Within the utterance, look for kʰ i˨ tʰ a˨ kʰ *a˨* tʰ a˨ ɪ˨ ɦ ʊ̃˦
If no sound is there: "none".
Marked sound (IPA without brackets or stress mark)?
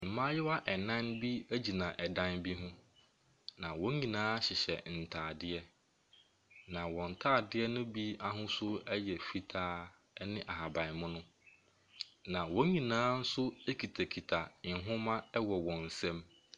i˨